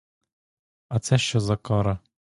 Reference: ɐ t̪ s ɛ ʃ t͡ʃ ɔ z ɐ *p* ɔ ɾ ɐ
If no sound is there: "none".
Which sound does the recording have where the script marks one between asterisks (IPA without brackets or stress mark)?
k